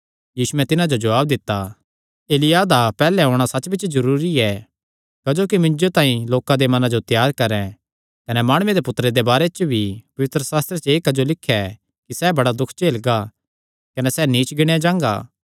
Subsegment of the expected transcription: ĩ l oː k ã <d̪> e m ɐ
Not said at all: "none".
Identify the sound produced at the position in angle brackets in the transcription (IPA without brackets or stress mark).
d̪